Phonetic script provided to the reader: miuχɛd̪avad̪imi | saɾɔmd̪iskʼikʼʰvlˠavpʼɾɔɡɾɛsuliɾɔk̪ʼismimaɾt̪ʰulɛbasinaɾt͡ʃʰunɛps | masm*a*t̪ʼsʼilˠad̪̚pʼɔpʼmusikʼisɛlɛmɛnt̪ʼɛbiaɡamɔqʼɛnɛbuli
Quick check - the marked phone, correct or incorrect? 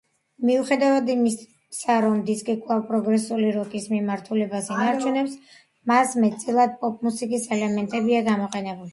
incorrect